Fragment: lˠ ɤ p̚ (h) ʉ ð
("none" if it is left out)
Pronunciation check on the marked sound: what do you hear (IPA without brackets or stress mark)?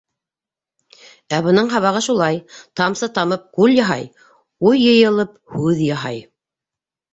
h